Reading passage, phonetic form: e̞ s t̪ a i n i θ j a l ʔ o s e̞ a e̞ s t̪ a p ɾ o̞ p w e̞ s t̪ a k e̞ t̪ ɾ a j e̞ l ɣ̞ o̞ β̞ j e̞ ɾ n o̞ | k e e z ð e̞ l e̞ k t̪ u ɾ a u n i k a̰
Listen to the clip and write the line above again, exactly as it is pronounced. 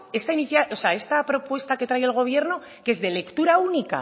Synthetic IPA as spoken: e̞ s t̪ a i n i θ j a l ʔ o s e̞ a e̞ s t̪ a p ɾ o̞ p w e̞ s t̪ a k e̞ t̪ ɾ a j e̞ l ɣ̞ o̞ β̞ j e̞ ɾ n o̞ | k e e z ð e̞ l e̞ k t̪ u ɾ a u n i k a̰